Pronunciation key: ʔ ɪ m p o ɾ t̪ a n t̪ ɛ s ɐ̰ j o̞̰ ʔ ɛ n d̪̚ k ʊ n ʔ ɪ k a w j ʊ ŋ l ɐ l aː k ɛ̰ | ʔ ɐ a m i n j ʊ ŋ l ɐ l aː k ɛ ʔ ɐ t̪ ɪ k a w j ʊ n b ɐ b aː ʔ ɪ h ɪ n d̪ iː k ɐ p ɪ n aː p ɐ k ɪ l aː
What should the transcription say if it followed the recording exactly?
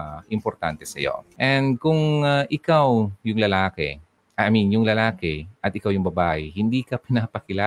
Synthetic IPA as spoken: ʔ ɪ m p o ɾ t̪ a n t̪ ɛ s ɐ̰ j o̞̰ ʔ ɛ n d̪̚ k ʊ ŋ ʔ ɪ k a w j ʊ ŋ l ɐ l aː k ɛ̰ | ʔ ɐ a m i n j ʊ ŋ l ɐ l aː k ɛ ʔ ɐ t̪ ɪ k a w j ʊ ŋ b ɐ b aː ʔ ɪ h ɪ n d̪ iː k ɐ p ɪ n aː p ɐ k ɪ l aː